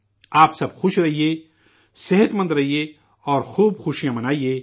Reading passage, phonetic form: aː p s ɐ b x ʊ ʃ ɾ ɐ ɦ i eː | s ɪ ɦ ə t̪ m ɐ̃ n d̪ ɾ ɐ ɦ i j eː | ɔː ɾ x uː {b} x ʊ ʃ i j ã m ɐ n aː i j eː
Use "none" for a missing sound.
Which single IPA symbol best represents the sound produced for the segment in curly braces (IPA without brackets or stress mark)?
b